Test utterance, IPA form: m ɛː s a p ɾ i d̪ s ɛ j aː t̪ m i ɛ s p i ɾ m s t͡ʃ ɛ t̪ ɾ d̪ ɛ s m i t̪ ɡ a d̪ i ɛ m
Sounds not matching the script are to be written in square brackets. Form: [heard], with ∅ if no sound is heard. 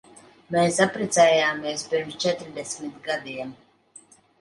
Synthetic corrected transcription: m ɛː s a p ɾ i [t̪] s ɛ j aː [∅] m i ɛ s p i ɾ m s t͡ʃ ɛ t̪ ɾ d̪ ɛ s m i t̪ ɡ a d̪ i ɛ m